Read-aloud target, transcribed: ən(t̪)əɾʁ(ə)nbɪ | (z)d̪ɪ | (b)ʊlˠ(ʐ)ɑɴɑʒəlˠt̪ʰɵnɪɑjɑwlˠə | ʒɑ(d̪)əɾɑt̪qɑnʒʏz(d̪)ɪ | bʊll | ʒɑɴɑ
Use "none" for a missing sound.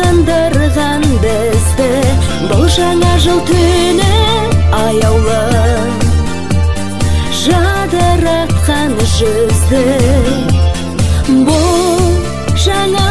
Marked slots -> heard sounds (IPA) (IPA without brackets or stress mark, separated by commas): d̪, ɑ, z, b, ʒ, d̪, d̪